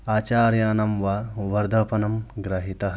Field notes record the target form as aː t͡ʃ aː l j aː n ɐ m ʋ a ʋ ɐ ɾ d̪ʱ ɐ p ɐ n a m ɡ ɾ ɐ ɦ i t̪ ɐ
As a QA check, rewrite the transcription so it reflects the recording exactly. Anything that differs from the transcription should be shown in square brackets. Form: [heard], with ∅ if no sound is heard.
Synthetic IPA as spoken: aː t͡ʃ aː [ɾ] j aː n ɐ m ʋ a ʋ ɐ ɾ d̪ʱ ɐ p ɐ n [ɐ] m ɡ ɾ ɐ ɦ i t̪ ɐ

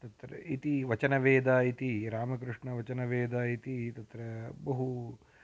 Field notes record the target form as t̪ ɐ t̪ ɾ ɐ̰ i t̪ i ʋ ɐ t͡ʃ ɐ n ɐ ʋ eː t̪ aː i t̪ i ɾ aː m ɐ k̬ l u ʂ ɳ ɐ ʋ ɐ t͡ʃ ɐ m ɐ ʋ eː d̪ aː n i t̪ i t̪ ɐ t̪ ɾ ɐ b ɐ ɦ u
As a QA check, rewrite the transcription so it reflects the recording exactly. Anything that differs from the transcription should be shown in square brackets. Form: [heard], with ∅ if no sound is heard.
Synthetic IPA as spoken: t̪ ɐ t̪ ɾ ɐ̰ i t̪ i ʋ ɐ t͡ʃ ɐ n ɐ ʋ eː [d̪] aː i t̪ i ɾ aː m ɐ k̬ [ɾ] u ʂ ɳ ɐ ʋ ɐ t͡ʃ ɐ [n] ɐ ʋ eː d̪ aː [∅] i t̪ i t̪ ɐ t̪ ɾ ɐ b ɐ ɦ u

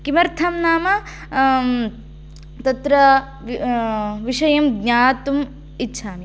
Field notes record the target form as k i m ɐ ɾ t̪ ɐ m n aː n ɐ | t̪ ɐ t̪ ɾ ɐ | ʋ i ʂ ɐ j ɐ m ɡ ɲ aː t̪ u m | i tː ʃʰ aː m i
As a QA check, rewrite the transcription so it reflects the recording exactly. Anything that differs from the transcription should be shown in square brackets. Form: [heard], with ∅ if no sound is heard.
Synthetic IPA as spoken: k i m ɐ ɾ [t̪ʰ] ɐ m n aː [m] ɐ | t̪ ɐ t̪ ɾ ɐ | ʋ i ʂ ɐ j ɐ m ɡ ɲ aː t̪ u m | i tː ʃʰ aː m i

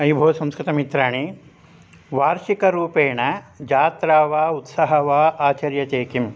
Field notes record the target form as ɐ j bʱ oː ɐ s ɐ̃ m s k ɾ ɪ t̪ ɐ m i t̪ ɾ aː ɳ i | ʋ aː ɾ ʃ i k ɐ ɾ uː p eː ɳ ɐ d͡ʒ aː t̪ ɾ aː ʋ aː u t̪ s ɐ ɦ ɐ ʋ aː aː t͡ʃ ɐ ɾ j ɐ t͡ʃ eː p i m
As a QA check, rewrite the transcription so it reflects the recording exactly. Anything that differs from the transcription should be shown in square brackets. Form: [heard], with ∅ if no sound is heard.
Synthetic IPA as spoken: ɐ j bʱ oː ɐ s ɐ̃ m s k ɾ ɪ t̪ ɐ m i t̪ ɾ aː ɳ i | ʋ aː ɾ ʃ i k ɐ ɾ uː p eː ɳ ɐ d͡ʒ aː t̪ ɾ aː ʋ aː u t̪ s ɐ ɦ ɐ ʋ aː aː t͡ʃ ɐ ɾ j ɐ t͡ʃ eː [k] i m

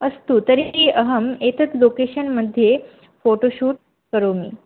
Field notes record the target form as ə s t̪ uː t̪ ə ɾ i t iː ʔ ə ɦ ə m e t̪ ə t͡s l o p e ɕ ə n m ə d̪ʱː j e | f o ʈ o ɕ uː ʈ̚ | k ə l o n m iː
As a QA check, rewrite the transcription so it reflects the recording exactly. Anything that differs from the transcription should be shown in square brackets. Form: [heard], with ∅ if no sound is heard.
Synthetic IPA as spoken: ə s t̪ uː t̪ ə ɾ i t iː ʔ ə ɦ ə m e t̪ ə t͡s l o [k] e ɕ ə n m ə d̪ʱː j e | f o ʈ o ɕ uː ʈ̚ | k ə [ɾ] o [∅] m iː

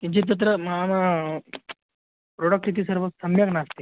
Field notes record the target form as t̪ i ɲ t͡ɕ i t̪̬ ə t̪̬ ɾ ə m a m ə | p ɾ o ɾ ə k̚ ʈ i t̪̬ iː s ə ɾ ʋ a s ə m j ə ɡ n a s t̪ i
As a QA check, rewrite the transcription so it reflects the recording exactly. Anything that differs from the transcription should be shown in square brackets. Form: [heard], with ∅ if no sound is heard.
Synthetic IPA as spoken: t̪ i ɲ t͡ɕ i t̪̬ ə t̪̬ ɾ ə m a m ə | p ɾ o [ɽ] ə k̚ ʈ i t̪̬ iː s ə ɾ ʋ [ə] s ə m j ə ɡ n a s t̪ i

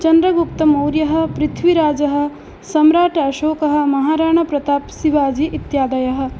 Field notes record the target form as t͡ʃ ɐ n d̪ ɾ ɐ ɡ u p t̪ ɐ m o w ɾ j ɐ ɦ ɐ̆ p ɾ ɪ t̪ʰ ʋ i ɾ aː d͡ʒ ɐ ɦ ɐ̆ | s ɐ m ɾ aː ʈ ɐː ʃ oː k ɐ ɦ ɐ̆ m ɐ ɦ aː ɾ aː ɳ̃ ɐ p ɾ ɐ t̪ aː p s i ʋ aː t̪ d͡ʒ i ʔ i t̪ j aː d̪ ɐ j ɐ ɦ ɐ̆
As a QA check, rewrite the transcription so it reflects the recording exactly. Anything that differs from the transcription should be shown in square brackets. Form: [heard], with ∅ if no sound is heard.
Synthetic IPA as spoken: t͡ʃ ɐ n d̪ ɾ ɐ ɡ u p t̪ ɐ m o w ɾ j ɐ ɦ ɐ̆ p ɾ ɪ t̪ʰ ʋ i ɾ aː d͡ʒ ɐ ɦ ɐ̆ | s ɐ m ɾ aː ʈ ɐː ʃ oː k ɐ ɦ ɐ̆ m ɐ ɦ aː ɾ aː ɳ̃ ɐ p ɾ ɐ t̪ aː p s i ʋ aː [∅] d͡ʒ i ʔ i t̪ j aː d̪ ɐ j ɐ ɦ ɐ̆

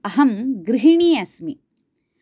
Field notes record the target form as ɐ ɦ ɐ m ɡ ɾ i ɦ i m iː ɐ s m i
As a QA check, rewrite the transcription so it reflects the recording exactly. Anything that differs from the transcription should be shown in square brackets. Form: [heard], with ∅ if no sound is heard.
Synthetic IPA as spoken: ɐ ɦ ɐ m ɡ ɾ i ɦ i [ɳ] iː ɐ s m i

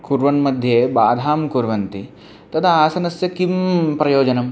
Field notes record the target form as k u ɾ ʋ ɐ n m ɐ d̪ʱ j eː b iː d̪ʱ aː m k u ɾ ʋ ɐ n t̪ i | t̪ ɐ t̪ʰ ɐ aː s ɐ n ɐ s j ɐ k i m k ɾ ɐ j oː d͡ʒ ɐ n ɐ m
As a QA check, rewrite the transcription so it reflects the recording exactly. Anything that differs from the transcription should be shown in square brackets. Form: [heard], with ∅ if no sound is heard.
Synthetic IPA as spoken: k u ɾ ʋ ɐ n m ɐ d̪ʱ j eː b [aː] d̪ʱ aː m k u ɾ ʋ ɐ n t̪ i | t̪ ɐ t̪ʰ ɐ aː s ɐ n ɐ s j ɐ k i m [p] ɾ ɐ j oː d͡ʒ ɐ n ɐ m

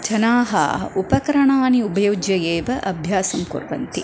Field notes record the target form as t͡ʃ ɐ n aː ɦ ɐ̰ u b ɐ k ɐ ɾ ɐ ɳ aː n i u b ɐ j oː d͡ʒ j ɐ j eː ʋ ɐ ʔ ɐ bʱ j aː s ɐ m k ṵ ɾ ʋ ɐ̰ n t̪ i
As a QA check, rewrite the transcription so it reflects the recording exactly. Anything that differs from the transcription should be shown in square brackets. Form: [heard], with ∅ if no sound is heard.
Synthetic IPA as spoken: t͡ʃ ɐ n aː ɦ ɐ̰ u [p] ɐ k ɐ ɾ ɐ ɳ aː n i u b ɐ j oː d͡ʒ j ɐ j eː ʋ ɐ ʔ ɐ bʱ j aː s ɐ m k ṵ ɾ ʋ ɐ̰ n t̪ i

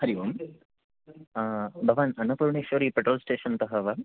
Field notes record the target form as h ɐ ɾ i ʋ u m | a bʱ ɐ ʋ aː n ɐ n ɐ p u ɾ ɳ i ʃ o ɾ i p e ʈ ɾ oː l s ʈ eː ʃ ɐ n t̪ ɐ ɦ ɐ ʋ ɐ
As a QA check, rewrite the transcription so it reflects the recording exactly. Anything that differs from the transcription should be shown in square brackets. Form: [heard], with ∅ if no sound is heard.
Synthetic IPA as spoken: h ɐ ɾ i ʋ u m | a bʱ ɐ ʋ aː n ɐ n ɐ p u ɾ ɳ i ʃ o ɾ i p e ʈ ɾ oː l s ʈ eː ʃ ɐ n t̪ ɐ ɦ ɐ ʋ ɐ

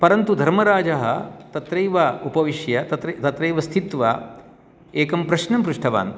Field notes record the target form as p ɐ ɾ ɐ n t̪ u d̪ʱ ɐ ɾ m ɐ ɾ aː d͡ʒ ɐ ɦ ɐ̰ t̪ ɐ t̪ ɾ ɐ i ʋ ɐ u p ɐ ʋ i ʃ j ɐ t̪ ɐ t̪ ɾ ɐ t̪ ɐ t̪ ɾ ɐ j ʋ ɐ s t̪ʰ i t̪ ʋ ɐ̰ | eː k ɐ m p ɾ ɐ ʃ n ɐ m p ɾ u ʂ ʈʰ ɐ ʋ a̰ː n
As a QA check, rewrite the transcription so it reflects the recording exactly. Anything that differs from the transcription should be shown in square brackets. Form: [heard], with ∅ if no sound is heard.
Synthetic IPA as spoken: p ɐ ɾ ɐ n t̪ u d̪ʱ ɐ ɾ m ɐ ɾ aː d͡ʒ ɐ ɦ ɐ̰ t̪ ɐ t̪ ɾ ɐ [j] ʋ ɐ u p ɐ ʋ i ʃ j ɐ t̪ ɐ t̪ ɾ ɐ t̪ ɐ t̪ ɾ ɐ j ʋ ɐ s t̪ʰ i t̪ ʋ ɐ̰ | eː k ɐ m p ɾ ɐ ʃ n ɐ m p ɾ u ʂ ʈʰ ɐ ʋ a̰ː n

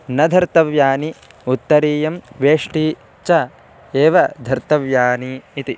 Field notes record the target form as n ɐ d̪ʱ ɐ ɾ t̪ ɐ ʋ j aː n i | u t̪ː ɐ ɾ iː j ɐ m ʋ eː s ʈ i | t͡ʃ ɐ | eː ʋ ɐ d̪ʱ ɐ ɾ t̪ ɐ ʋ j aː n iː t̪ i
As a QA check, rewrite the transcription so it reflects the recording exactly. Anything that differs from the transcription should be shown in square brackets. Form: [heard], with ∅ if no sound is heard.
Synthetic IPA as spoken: n ɐ d̪ʱ ɐ ɾ t̪ ɐ ʋ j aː n i | u t̪ː ɐ ɾ iː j ɐ m ʋ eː [ʂ] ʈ i | t͡ʃ ɐ | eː ʋ ɐ d̪ʱ ɐ ɾ t̪ ɐ ʋ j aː n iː t̪ i

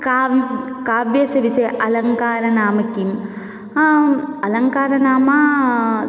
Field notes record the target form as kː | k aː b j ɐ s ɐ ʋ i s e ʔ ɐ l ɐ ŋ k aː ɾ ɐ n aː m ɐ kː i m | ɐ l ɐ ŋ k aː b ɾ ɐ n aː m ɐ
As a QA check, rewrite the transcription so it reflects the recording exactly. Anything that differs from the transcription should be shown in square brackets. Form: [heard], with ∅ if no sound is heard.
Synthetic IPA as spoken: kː | k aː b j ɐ s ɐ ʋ i s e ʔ ɐ l ɐ ŋ k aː ɾ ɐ n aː m ɐ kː i m | ɐ l ɐ ŋ k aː [∅] ɾ ɐ n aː m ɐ

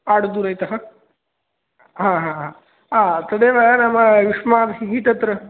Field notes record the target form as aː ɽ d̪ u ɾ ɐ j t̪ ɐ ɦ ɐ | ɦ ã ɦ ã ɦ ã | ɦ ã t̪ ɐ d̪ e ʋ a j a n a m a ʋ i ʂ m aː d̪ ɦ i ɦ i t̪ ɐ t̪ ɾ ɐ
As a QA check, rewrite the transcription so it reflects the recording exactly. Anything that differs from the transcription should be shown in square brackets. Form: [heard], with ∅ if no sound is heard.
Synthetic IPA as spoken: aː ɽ d̪ u ɾ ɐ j t̪ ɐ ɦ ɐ | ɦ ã ɦ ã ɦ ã | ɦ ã t̪ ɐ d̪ e ʋ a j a n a m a ʋ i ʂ m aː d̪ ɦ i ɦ i t̪ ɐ t̪ ɾ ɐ

